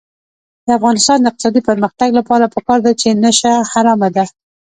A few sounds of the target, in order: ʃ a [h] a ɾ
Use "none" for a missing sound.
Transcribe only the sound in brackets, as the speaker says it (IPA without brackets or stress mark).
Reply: h